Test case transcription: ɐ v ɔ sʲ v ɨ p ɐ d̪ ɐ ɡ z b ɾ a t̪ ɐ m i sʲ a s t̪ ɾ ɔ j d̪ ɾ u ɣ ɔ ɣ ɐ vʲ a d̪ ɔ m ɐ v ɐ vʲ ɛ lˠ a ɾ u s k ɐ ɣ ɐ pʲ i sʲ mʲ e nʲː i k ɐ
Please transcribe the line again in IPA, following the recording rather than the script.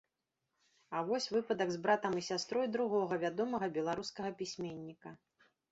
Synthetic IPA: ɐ v ɔ sʲ v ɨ p ɐ d̪ ɐ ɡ z b ɾ a t̪ ɐ m i sʲ a s t̪ ɾ ɔ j d̪ ɾ u ɣ ɔ ɣ ɐ vʲ a d̪ ɔ m ɐ ɣ ɐ bʲ ɛ lˠ a ɾ u s k ɐ ɣ ɐ pʲ i sʲ mʲ e nʲː i k ɐ